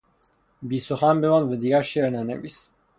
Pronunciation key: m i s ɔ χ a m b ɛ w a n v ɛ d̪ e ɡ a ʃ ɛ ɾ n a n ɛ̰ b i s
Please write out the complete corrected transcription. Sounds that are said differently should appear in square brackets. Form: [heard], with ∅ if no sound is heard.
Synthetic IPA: [b] i s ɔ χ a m b ɛ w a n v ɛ d̪ [i] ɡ a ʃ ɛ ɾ n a n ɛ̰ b i s